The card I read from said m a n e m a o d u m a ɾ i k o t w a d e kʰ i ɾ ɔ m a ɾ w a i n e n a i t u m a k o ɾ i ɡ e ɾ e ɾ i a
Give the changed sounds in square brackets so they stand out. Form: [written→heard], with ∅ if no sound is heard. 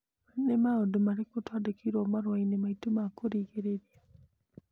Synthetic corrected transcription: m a n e m a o d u m a ɾ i k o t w a d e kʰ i ɾ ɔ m a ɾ w a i n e [n→m] a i t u m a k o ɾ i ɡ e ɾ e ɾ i a